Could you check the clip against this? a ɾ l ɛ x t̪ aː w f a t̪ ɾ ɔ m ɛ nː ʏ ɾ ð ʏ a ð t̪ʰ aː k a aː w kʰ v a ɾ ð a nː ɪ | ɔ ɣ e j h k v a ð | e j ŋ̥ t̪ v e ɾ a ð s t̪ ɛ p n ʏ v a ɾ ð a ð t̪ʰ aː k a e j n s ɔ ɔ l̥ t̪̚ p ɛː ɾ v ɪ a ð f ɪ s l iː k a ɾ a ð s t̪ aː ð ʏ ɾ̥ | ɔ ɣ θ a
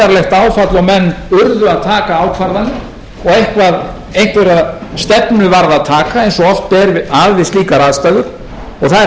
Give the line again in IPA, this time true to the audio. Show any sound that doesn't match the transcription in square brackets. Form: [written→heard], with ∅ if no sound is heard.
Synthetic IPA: a ɾ l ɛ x t̪ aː w f a t̪ [ɾ→l] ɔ m ɛ nː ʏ ɾ ð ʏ a ð t̪ʰ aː k a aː w kʰ v a ɾ ð a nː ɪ | ɔ ɣ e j h k v a ð | e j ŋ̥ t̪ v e ɾ a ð s t̪ ɛ p n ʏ v a ɾ ð a ð t̪ʰ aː k a e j n s ɔ ɔ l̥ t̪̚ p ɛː ɾ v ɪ a ð [f→v] ɪ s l iː k a ɾ a ð s t̪ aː ð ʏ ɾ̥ | ɔ ɣ θ a